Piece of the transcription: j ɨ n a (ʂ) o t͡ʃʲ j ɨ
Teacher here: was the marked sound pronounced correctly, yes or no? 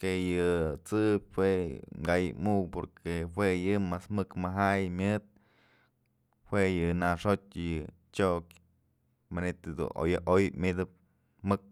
yes